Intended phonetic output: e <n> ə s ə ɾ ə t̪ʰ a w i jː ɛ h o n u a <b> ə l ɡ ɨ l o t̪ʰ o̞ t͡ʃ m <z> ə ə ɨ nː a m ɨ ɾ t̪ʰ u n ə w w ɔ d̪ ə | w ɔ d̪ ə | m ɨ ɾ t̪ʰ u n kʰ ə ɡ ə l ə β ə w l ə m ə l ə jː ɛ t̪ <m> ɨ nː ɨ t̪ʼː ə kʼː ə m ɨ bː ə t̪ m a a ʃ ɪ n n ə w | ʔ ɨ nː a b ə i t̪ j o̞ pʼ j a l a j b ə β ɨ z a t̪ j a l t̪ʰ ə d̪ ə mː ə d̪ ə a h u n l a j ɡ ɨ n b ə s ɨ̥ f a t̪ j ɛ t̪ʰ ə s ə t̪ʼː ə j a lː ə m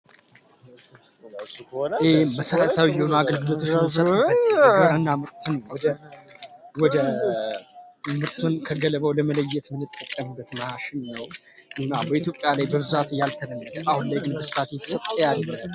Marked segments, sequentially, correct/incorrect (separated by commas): incorrect, incorrect, incorrect, correct